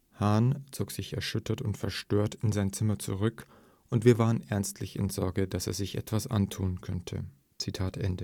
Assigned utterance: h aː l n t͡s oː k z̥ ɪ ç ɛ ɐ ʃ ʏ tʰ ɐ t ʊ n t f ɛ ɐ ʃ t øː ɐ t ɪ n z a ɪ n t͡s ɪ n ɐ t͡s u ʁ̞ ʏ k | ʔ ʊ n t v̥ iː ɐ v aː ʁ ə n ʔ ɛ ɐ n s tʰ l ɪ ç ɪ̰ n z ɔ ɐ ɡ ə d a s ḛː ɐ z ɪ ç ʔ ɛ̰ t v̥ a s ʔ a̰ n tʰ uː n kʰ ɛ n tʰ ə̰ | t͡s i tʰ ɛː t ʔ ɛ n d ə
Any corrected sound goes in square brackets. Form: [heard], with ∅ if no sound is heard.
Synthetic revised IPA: h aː [∅] n t͡s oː k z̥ ɪ ç ɛ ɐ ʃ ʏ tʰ ɐ t ʊ n t f ɛ ɐ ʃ t øː ɐ t ɪ n z a ɪ n t͡s ɪ [m] ɐ t͡s u ʁ̞ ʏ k | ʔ ʊ n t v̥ iː ɐ v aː ʁ ə n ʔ ɛ ɐ n s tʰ l ɪ ç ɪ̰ n z ɔ ɐ ɡ ə d a s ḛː ɐ z ɪ ç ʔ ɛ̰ t v̥ a s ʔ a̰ n tʰ uː n kʰ [œ] n tʰ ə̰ | t͡s i tʰ [aː] t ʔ ɛ n d ə